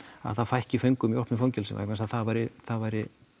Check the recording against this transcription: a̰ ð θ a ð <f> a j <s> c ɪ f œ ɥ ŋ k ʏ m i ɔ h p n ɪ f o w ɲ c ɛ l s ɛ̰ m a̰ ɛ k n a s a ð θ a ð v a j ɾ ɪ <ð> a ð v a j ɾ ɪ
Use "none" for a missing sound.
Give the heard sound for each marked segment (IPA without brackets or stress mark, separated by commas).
f, h, θ